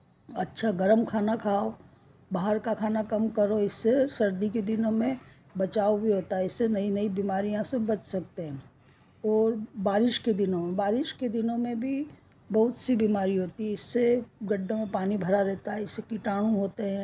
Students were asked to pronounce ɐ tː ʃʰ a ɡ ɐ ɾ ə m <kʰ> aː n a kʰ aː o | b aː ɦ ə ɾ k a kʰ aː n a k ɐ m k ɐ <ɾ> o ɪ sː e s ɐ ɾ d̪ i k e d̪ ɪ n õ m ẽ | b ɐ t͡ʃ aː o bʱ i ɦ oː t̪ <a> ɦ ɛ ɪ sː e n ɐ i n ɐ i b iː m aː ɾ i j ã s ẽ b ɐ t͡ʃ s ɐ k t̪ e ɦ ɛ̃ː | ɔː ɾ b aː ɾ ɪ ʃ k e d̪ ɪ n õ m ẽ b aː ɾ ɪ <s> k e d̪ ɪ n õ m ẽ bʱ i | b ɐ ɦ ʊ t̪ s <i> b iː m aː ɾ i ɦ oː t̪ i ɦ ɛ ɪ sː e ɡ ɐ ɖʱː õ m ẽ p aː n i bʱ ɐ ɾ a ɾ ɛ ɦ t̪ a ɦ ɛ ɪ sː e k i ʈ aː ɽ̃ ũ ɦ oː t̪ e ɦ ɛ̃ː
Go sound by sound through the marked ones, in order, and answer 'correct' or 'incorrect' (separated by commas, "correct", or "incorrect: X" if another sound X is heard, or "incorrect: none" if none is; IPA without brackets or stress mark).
correct, correct, correct, incorrect: ʃ, correct